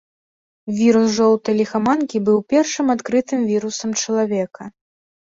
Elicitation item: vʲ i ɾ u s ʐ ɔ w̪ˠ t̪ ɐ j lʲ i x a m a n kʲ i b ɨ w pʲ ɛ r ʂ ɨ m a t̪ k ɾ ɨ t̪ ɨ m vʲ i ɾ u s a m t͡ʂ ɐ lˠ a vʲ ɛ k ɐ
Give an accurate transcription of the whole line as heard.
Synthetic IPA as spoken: vʲ i ɾ u s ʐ ɔ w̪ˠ t̪ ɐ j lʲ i x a m a n kʲ i b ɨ w pʲ ɛ r ʂ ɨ m a t̪ k ɾ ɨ t̪ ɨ m vʲ i ɾ u s ɐ m t͡ʂ ɐ lˠ a vʲ ɛ k ɐ